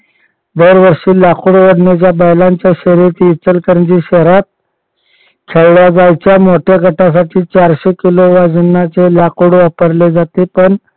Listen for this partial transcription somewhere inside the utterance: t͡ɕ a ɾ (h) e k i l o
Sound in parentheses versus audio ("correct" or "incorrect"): incorrect